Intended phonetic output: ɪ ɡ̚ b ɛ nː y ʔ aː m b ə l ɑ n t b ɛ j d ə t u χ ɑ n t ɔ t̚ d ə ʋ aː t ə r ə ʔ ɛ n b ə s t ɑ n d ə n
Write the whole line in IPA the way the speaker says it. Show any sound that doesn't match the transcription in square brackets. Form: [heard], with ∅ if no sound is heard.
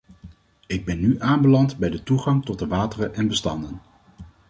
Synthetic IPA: ɪ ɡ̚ b ɛ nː y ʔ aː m b ə l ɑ n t b ɛ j d ə t u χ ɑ [ŋ] t ɔ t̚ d ə ʋ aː t ə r ə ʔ ɛ n b ə s t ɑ n d ə n